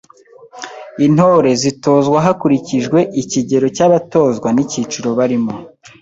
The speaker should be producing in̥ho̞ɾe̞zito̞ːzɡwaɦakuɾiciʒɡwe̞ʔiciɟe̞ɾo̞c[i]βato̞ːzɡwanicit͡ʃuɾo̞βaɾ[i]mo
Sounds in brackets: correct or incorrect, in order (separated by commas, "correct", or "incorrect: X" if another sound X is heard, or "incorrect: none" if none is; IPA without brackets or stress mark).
incorrect: a, correct